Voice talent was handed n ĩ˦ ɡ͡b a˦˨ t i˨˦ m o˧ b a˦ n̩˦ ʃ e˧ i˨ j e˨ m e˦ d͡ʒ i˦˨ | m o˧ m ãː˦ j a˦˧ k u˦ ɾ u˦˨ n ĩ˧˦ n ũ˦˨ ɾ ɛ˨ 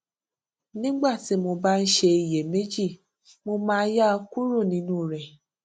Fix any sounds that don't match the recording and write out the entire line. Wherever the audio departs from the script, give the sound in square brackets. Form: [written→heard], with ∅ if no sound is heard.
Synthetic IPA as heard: n ĩ˦ ɡ͡b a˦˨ t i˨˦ m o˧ b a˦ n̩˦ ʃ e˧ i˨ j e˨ m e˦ d͡ʒ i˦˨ | m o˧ m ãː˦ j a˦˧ k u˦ ɾ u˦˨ n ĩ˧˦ n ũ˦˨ ɾ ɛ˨